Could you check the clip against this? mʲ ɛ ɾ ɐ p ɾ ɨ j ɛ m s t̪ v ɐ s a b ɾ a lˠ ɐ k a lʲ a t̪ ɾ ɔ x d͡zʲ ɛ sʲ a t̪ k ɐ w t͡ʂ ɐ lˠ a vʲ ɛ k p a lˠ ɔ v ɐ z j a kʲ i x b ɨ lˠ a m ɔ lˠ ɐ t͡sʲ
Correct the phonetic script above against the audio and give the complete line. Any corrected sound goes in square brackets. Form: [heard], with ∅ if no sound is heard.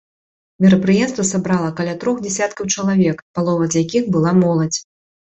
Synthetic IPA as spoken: mʲ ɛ ɾ ɐ p ɾ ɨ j ɛ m s t̪ v ɐ s a b ɾ a lˠ ɐ k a lʲ a t̪ ɾ ɔ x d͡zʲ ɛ sʲ a t̪ k ɐ w t͡ʂ ɐ lˠ a vʲ ɛ k p a lˠ ɔ v ɐ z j a kʲ i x b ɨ lˠ a m ɔ lˠ ɐ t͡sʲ